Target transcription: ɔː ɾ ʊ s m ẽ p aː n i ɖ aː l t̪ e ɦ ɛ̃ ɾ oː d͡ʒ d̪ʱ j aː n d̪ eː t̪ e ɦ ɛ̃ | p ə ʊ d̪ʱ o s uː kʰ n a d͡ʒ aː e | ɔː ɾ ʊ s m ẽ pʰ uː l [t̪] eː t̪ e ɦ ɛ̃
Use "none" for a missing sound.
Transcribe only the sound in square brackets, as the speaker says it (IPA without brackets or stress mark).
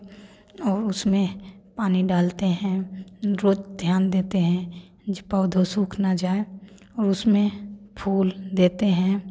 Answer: d̪